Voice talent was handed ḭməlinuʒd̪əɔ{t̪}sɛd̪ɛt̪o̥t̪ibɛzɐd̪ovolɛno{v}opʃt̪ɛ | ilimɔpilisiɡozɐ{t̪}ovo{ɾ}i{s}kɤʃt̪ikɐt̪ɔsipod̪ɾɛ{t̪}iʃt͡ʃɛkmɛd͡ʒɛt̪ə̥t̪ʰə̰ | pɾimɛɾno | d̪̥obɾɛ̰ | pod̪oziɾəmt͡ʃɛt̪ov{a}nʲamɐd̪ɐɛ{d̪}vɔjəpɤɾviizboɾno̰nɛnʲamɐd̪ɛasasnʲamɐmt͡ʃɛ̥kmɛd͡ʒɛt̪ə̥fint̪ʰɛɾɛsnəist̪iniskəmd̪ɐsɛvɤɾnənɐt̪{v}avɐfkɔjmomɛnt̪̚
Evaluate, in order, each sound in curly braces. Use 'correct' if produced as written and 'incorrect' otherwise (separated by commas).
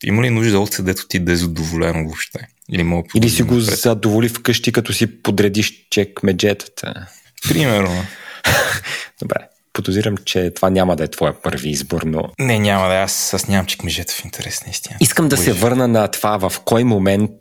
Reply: correct, correct, incorrect, incorrect, incorrect, incorrect, correct, incorrect, correct